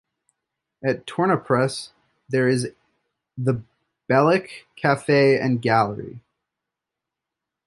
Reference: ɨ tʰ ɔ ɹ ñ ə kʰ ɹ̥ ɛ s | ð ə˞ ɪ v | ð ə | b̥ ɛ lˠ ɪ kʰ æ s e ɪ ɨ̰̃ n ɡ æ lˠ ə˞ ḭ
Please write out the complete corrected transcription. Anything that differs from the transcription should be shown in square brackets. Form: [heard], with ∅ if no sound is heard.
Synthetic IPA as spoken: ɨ tʰ ɔ ɹ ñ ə [pʰ] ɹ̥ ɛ s | ð ə˞ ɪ [z] | ð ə | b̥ ɛ lˠ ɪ kʰ æ [f] e ɪ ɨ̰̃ n ɡ æ lˠ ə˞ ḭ